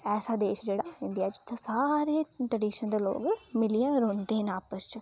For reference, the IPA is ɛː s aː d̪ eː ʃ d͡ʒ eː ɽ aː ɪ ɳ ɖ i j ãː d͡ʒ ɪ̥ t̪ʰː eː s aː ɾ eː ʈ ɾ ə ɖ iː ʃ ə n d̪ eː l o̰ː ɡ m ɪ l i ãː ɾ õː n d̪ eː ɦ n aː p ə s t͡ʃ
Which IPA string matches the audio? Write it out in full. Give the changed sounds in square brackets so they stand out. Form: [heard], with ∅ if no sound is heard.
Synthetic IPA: ɛː s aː d̪ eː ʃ d͡ʒ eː ɽ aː ɪ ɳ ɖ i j [aː] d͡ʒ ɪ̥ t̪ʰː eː s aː ɾ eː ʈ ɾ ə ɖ iː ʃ ə n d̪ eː l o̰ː ɡ m ɪ l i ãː ɾ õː n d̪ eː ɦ n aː p ə s t͡ʃ